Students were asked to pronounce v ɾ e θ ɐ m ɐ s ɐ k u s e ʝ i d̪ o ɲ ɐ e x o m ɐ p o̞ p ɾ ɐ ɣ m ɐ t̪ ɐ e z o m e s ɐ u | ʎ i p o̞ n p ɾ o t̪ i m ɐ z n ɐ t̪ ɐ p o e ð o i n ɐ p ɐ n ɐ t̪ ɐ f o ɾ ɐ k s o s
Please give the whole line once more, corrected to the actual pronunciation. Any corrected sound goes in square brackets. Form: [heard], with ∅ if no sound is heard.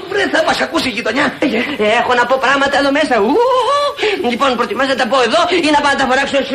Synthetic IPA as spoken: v ɾ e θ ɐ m ɐ s ɐ k u s [i] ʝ i [t̪] o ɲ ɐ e x o [n] ɐ p o̞ p ɾ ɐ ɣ m ɐ t̪ ɐ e [ð] o m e s ɐ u | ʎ i p o̞ n p ɾ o t̪ i m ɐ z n ɐ t̪ ɐ p o e ð o i n ɐ p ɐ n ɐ t̪ ɐ f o ɾ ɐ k s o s